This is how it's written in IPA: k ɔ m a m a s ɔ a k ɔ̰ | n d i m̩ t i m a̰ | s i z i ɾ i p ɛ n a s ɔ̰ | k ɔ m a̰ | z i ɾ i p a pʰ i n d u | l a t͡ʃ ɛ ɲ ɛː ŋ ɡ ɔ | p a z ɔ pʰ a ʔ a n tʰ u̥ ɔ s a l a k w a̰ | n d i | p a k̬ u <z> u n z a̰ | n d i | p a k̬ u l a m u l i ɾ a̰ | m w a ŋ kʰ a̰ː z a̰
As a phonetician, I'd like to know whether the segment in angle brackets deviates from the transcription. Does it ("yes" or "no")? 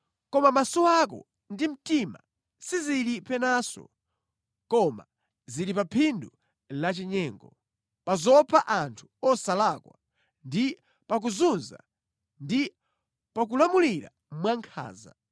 no